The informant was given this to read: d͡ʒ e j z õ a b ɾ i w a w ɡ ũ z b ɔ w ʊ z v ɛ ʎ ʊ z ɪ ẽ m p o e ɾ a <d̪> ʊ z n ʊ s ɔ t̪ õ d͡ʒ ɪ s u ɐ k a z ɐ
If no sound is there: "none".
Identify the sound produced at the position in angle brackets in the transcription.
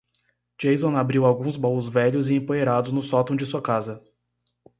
d̪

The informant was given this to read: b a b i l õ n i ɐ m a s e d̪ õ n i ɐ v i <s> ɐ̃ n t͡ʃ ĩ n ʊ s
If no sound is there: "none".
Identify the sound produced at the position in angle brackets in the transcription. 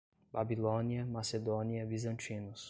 z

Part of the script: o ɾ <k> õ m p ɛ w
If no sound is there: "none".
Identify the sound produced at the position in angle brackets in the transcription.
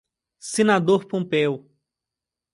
p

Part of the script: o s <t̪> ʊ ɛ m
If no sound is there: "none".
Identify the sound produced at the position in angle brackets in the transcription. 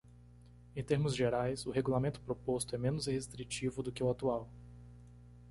t̪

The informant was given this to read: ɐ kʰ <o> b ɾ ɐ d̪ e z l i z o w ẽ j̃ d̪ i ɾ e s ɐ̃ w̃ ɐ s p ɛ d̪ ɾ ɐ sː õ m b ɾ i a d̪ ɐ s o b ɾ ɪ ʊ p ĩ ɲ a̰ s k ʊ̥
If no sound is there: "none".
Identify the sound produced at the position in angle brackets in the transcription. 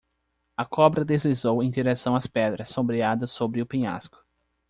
ɔ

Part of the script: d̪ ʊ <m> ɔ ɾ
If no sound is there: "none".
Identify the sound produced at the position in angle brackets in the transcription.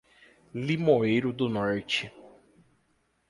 n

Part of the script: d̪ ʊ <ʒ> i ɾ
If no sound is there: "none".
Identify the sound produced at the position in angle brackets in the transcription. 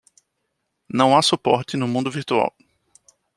v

